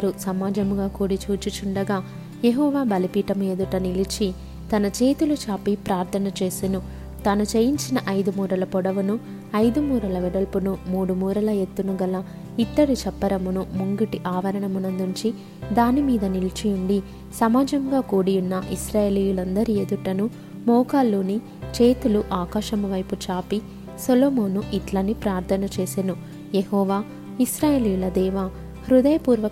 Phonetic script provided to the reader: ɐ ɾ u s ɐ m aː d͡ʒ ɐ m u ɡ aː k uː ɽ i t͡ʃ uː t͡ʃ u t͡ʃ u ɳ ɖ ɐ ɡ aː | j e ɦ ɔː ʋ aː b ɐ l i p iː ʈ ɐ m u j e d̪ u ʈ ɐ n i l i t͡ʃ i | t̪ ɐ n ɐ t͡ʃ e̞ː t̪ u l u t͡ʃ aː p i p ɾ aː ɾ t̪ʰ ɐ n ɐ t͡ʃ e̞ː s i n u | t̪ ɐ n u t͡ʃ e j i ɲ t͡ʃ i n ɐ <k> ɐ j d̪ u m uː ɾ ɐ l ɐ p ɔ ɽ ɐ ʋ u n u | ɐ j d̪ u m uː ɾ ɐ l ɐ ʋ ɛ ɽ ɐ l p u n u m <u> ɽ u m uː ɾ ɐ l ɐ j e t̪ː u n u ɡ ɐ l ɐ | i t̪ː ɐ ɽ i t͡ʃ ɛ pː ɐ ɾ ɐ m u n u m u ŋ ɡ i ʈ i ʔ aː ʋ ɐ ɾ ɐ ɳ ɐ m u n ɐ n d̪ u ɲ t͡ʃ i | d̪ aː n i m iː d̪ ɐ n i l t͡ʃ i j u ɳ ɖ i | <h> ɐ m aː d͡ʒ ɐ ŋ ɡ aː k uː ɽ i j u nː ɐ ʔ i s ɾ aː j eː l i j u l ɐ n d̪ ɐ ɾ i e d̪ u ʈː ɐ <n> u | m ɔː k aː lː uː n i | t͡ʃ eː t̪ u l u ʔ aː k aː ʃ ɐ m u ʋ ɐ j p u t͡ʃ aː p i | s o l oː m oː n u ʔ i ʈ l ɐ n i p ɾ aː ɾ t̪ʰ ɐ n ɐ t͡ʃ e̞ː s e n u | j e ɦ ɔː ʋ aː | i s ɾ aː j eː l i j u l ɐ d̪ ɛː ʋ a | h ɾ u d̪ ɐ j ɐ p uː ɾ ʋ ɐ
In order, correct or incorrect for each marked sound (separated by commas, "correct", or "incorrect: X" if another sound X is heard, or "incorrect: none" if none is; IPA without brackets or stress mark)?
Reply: incorrect: ʔ, incorrect: uː, incorrect: s, correct